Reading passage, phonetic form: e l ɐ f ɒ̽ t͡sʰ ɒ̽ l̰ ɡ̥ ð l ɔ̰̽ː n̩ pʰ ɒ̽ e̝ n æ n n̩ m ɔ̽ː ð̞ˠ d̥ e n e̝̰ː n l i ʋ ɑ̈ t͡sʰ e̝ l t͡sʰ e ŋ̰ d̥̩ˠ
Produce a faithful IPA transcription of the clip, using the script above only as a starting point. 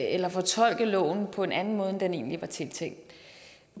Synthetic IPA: e l ɐ f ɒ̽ t͡sʰ ɒ̽ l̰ ɡ̥ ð l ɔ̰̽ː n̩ pʰ ɒ̽ e̝ n æ n n̩ m ɔ̽ː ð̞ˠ d̥ e n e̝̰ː n l i ʋ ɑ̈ t͡sʰ e̝ l t͡sʰ e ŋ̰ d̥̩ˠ